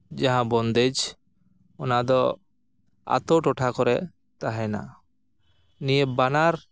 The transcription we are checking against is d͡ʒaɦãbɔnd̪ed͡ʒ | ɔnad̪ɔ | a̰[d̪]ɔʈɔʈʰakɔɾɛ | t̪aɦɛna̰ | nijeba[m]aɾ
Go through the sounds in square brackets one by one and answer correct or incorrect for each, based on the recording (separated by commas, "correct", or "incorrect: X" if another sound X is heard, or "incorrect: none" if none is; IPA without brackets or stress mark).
incorrect: t̪, incorrect: n